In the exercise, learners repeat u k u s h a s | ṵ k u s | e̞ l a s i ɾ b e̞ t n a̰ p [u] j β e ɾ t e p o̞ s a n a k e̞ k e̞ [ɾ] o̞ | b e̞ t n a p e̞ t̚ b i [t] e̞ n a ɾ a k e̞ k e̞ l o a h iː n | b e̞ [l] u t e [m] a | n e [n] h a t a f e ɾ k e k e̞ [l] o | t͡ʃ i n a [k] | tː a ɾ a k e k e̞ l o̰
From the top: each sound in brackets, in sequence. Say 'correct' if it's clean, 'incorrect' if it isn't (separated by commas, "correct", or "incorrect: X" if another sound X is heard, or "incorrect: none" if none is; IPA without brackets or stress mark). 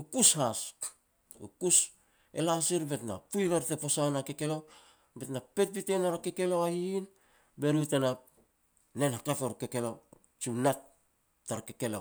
correct, incorrect: l, correct, incorrect: ɾ, incorrect: n, correct, correct, incorrect: t